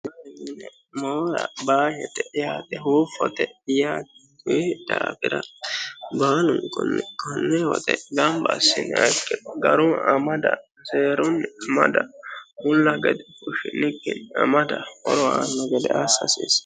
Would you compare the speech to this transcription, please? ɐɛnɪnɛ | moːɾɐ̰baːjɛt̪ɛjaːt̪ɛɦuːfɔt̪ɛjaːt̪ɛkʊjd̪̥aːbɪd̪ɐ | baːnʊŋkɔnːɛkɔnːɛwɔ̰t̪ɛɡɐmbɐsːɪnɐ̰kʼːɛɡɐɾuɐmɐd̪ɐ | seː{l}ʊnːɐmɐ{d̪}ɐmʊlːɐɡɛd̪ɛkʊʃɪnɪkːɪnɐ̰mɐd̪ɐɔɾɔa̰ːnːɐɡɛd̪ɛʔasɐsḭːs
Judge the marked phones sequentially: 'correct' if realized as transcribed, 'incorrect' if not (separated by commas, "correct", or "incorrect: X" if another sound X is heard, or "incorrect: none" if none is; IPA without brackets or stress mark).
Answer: incorrect: ɾ, correct